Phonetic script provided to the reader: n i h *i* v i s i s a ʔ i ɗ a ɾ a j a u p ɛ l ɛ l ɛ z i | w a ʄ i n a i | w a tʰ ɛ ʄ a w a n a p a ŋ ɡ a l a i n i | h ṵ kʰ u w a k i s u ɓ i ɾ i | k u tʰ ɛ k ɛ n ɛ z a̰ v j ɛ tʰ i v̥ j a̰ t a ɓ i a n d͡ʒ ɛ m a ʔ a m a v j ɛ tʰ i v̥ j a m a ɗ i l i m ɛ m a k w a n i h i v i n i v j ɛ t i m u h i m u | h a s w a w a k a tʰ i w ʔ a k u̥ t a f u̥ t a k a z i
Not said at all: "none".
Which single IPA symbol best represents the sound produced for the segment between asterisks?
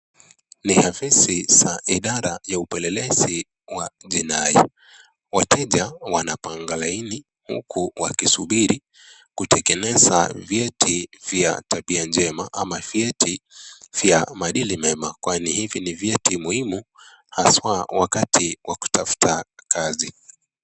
a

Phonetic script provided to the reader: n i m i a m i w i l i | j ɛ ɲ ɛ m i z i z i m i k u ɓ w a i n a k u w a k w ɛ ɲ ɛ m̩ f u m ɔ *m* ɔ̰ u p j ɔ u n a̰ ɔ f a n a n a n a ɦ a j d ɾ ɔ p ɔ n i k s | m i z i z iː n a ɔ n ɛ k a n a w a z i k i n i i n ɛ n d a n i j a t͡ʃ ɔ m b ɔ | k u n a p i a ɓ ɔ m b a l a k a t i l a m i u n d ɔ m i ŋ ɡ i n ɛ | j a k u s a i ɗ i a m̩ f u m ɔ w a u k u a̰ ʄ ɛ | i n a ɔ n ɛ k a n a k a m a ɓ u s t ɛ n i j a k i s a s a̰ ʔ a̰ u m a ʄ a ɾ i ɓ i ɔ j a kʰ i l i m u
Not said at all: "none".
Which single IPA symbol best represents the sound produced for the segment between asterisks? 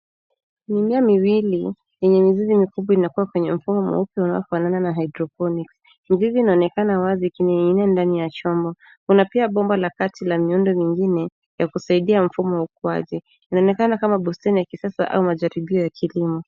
m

